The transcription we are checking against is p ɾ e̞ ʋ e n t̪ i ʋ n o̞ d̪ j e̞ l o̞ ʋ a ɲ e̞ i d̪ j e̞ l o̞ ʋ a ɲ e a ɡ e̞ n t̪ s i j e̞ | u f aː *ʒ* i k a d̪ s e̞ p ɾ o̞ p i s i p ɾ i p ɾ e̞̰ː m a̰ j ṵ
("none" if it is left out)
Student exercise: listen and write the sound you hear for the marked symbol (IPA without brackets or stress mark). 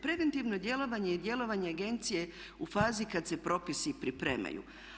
z